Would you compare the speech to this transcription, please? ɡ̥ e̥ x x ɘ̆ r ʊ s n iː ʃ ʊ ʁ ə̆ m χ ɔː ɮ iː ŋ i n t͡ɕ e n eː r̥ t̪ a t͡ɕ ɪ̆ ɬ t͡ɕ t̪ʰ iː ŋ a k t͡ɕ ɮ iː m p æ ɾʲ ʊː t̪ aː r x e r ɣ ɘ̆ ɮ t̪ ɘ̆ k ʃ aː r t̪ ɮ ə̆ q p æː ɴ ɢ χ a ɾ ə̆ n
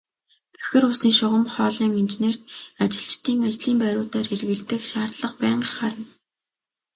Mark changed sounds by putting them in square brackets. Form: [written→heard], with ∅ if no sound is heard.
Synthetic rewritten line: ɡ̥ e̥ x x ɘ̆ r ʊ s n iː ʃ ʊ ʁ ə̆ m χ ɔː ɮ iː ŋ i n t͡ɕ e n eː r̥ t̪ a t͡ɕ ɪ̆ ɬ t͡ɕ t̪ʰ iː ŋ a [k→∅] t͡ɕ ɮ iː m p æ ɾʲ ʊː t̪ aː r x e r ɣ ɘ̆ ɮ t̪ ɘ̆ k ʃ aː r t̪ ɮ ə̆ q p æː ɴ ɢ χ a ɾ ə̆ n